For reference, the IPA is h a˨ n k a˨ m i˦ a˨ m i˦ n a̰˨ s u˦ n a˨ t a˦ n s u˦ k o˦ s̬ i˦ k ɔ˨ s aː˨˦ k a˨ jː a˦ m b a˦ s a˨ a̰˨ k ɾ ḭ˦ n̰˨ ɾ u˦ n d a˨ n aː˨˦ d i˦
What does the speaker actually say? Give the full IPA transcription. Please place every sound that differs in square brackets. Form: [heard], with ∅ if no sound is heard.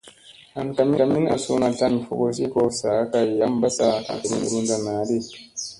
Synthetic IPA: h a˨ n k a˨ m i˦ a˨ m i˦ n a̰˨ s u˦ n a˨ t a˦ n [f] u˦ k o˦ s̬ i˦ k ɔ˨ s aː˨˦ k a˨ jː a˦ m b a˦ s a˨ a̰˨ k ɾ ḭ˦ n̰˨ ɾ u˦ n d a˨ n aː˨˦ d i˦